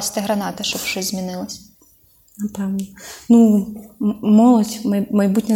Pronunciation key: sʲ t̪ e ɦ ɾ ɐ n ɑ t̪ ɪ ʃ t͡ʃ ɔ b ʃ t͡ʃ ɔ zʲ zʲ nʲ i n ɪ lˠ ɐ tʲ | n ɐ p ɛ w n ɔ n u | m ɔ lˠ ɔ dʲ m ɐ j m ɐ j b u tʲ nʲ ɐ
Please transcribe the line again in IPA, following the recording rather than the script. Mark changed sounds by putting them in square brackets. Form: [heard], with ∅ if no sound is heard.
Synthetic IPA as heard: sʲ t̪ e ɦ ɾ ɐ n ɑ t̪ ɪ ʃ t͡ʃ ɔ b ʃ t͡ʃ ɔ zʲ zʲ [mʲ] i n ɪ lˠ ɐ [sʲ] | n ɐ p ɛ w n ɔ n u | m ɔ lˠ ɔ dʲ m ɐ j m ɐ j b u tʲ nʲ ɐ